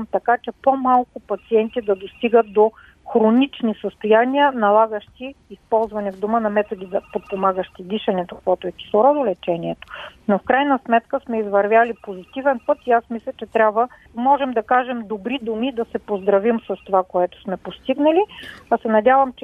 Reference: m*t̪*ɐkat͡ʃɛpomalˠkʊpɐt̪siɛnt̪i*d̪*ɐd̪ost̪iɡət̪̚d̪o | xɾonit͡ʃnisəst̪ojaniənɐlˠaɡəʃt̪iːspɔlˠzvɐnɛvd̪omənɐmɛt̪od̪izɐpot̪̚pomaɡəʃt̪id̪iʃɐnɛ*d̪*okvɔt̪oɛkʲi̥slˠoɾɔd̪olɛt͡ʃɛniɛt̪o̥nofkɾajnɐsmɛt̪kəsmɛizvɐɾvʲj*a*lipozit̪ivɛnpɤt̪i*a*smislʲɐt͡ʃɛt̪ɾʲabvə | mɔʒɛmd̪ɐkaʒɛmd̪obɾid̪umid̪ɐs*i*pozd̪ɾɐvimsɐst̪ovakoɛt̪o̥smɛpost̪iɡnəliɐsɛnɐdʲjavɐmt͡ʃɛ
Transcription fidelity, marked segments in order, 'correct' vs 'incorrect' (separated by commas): correct, correct, incorrect, correct, correct, incorrect